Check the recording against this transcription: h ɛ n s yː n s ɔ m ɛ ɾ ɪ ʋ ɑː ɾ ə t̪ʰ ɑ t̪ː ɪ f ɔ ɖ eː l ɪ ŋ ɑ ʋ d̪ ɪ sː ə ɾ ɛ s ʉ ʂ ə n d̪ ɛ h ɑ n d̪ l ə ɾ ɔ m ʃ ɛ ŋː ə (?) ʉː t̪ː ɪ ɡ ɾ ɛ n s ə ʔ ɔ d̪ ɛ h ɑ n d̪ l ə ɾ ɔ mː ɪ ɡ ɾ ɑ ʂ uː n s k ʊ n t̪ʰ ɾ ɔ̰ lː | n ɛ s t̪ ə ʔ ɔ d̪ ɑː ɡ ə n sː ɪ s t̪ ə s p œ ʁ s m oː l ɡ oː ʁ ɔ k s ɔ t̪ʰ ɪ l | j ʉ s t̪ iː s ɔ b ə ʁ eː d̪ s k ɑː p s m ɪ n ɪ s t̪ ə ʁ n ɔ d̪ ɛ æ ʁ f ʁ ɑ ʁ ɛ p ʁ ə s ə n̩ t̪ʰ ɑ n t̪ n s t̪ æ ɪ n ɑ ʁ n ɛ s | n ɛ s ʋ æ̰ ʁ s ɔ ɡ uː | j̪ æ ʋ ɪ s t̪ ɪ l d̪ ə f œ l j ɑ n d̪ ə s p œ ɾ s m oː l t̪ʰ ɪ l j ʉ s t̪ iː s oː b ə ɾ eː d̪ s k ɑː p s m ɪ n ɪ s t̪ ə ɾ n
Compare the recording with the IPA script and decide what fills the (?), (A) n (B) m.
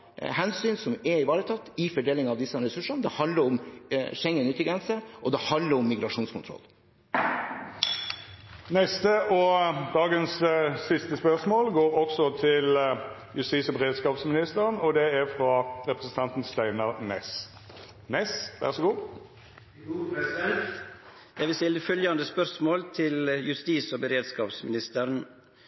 A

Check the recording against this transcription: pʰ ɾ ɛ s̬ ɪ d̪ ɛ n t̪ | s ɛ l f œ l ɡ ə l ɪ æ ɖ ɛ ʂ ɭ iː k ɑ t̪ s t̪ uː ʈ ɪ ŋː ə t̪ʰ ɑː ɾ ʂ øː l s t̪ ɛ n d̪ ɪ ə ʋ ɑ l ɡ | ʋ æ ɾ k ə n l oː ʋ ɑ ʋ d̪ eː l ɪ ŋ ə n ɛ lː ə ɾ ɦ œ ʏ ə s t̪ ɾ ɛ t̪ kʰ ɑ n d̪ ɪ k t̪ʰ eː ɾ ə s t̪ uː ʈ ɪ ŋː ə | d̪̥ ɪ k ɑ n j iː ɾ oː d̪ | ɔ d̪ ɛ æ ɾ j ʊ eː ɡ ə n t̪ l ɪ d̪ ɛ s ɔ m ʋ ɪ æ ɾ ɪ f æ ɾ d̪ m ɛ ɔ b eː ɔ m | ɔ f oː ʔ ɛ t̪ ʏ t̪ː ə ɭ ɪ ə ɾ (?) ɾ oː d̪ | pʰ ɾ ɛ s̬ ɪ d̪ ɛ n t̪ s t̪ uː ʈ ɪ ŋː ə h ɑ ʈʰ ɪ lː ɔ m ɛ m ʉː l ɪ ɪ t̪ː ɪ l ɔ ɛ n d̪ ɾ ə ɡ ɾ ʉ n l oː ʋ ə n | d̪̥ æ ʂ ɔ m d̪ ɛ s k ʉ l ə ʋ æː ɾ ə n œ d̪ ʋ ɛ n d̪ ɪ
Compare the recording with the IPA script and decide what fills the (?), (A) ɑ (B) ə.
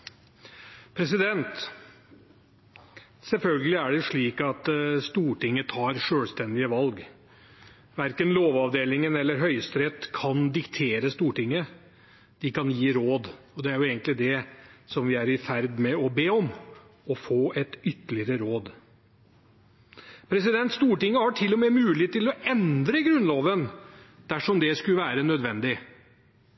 B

